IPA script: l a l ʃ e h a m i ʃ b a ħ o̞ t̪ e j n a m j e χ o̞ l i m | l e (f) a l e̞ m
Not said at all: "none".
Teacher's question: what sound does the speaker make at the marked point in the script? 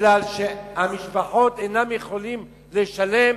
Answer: ʃ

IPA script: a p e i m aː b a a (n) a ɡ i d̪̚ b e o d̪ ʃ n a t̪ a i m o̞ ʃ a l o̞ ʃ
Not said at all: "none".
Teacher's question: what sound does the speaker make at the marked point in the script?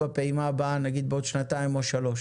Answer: n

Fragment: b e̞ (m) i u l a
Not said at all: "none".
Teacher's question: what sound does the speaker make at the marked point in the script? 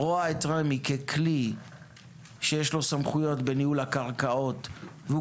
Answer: n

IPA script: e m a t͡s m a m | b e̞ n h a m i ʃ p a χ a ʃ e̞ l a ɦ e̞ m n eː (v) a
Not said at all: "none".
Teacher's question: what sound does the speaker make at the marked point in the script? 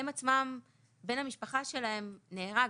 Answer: ʁ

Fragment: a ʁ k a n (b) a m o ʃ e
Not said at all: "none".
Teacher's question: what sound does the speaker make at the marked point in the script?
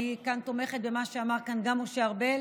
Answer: ɡ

